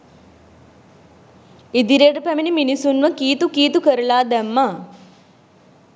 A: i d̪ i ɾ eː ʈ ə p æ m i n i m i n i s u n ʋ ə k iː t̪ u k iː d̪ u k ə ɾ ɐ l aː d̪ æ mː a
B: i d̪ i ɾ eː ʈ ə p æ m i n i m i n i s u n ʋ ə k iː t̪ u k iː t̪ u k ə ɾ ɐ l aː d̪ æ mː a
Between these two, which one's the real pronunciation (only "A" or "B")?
B